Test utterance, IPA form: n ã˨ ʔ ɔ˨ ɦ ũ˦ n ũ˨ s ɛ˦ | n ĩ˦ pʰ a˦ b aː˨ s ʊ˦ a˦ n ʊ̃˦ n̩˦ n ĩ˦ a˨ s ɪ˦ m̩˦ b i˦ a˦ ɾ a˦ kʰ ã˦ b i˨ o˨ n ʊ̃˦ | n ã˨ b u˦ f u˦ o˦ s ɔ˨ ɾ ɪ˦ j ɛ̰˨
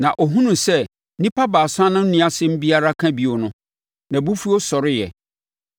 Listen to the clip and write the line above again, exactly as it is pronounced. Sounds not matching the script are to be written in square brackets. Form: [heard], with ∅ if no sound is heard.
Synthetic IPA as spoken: n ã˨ ʔ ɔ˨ ɦ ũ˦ n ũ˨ s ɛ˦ | n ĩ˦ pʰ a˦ b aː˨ s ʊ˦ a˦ n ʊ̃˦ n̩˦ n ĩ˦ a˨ s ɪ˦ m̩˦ b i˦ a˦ ɾ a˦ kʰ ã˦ b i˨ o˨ n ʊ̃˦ | n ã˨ b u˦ f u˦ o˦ s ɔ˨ ɾ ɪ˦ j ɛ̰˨